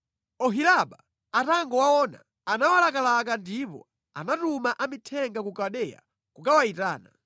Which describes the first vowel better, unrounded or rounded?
rounded